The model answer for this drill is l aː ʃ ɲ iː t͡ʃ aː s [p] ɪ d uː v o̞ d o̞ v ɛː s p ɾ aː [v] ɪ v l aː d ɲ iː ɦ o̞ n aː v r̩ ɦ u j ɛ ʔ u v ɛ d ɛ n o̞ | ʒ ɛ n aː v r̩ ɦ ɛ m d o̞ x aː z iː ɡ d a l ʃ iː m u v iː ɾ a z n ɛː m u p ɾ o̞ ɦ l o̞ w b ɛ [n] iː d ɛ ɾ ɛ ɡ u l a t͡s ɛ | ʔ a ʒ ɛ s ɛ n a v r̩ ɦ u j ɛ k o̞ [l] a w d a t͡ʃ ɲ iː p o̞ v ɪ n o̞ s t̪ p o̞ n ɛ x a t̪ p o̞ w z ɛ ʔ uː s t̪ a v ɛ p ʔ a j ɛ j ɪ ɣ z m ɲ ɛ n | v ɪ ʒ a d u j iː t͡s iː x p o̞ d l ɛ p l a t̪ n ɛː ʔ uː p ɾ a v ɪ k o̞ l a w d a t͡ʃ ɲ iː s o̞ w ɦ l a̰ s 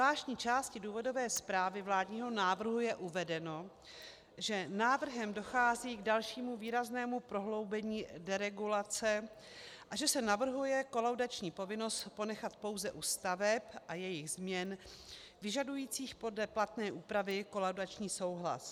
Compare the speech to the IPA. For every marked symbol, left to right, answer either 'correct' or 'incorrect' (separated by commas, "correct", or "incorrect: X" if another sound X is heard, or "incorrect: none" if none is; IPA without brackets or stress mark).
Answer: incorrect: c, correct, incorrect: ɲ, correct